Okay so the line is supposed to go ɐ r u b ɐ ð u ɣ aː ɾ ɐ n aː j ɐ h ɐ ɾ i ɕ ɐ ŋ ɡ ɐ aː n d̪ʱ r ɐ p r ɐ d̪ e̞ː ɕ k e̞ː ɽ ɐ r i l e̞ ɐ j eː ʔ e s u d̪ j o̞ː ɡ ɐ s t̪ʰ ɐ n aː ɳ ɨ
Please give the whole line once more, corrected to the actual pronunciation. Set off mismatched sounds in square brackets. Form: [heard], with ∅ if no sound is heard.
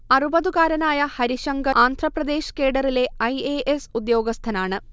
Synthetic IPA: ɐ r u b ɐ ð u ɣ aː ɾ ɐ n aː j ɐ h ɐ ɾ i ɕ ɐ ŋ ɡ ɐ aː n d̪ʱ r ɐ p r ɐ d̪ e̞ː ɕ k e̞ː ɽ ɐ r i l e̞ ɐ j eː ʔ e s u d̪ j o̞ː ɡ ɐ s t̪ʰ ɐ n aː ɳ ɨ